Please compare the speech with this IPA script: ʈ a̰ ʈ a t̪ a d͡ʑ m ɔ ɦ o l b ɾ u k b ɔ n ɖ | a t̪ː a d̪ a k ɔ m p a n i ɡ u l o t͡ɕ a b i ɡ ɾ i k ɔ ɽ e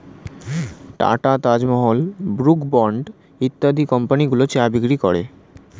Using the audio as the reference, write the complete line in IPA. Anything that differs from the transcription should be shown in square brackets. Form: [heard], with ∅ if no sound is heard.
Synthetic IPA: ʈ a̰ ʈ a t̪ a d͡ʑ m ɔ ɦ o l b ɾ u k b ɔ [ɳ] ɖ | [i] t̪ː a d̪ [i] k ɔ m p a n i ɡ u l o t͡ɕ a b i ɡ ɾ i k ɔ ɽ e